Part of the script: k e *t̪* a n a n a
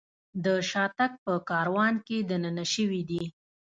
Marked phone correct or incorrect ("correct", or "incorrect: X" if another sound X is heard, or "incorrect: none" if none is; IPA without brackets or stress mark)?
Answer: incorrect: d̪